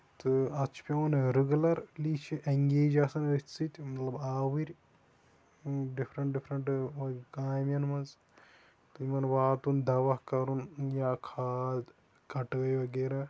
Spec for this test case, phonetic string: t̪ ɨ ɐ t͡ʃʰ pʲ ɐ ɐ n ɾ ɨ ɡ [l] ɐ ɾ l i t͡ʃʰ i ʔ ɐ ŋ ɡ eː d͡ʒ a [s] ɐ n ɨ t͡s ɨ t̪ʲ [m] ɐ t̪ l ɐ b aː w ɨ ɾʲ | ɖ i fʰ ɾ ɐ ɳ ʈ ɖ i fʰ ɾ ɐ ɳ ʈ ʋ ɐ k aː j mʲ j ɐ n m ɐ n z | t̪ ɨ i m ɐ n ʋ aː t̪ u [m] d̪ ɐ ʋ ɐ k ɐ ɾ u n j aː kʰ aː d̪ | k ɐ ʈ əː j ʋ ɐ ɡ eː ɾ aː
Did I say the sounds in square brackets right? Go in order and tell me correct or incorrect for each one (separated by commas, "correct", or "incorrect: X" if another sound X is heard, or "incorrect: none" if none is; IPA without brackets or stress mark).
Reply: correct, correct, correct, incorrect: n